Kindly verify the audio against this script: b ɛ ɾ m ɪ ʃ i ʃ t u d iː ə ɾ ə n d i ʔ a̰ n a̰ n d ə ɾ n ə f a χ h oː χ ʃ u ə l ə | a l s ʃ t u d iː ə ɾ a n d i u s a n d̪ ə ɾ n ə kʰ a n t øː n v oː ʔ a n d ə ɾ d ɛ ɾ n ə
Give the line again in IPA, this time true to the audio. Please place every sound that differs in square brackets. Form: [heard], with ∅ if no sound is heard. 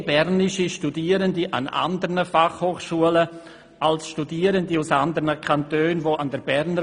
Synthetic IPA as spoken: b ɛ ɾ [n] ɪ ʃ i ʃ t u d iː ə ɾ ə n d i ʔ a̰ n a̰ n d ə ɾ n ə f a χ h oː χ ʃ u ə l ə | a l s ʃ t u d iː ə ɾ [ə] n d i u s a n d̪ ə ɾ n ə kʰ a n t øː n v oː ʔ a n d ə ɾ [b] ɛ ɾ n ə